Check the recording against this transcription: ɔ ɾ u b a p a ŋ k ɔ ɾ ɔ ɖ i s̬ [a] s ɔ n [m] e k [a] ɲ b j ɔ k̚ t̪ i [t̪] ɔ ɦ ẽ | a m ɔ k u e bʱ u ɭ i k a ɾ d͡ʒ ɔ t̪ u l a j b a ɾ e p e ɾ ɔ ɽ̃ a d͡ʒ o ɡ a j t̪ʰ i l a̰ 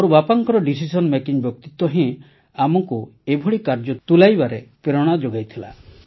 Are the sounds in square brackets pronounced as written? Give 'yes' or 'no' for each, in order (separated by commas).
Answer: no, yes, no, yes